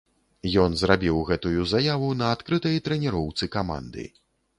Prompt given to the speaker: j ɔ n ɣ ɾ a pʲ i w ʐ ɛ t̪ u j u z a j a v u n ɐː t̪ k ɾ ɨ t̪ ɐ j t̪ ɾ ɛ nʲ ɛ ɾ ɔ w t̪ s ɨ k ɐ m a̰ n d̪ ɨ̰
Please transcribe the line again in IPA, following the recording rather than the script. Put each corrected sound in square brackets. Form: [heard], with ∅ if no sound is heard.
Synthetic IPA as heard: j ɔ n [z] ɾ a [bʲ] i w [ɣ] ɛ t̪ u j u z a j a v u n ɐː t̪ k ɾ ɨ t̪ ɐ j t̪ ɾ ɛ nʲ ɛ ɾ ɔ w t̪ s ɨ k [a] m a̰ n d̪ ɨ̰